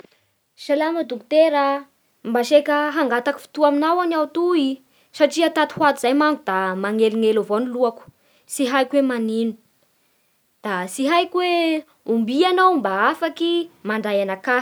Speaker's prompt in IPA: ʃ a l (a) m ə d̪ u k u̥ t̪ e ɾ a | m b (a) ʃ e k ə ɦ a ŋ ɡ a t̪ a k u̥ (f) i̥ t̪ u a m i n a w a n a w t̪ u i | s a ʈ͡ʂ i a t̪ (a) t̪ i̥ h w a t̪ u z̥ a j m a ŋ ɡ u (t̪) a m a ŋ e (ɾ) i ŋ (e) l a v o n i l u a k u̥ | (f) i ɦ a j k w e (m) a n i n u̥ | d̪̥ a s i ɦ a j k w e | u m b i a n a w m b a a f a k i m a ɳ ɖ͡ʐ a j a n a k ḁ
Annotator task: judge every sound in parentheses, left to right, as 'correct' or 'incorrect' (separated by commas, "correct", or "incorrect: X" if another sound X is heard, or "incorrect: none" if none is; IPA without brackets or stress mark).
correct, correct, correct, correct, incorrect: d̪, incorrect: l, correct, incorrect: s, correct